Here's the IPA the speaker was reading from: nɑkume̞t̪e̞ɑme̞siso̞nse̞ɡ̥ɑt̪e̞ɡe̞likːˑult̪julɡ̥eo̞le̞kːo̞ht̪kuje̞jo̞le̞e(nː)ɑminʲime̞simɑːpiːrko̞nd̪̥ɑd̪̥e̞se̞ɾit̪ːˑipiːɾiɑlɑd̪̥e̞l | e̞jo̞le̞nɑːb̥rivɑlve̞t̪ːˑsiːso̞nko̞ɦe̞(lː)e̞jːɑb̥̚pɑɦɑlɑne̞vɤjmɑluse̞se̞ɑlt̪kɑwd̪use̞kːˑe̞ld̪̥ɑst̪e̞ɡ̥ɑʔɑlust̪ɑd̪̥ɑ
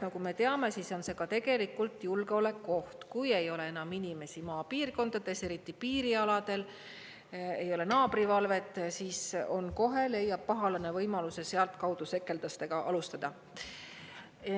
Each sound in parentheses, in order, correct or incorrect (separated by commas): incorrect, incorrect